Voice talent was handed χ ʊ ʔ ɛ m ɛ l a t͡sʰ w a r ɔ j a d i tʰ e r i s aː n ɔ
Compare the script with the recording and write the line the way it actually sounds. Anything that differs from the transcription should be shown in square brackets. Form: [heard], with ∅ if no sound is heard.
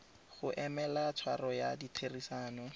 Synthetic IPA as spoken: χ ʊ ʔ ɛ m ɛ l a t͡sʰ w a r ɔ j a d i tʰ e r i s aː n ɔ